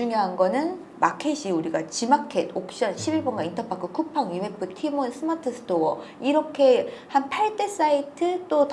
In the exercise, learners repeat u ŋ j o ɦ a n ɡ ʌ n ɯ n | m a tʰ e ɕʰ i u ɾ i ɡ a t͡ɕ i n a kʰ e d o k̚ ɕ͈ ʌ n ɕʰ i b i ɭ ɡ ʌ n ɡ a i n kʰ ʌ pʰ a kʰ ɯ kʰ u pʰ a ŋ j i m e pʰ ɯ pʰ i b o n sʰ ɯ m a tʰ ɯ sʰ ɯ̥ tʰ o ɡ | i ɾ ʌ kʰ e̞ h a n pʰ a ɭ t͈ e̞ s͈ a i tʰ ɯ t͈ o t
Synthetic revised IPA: u ŋ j o ɦ a n ɡ ʌ n ɯ n | m a kʰ e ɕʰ i u ɾ i ɡ a t͡ɕ i m a kʰ e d o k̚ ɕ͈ ʌ n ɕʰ i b i ɭ b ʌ n ɡ a i n tʰ ʌ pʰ a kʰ ɯ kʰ u pʰ a ŋ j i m e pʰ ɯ tʰ i m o n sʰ ɯ m a tʰ ɯ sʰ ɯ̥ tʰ o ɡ | i ɾ ʌ kʰ e̞ h a n pʰ a ɭ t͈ e̞ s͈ a i tʰ ɯ t͈ o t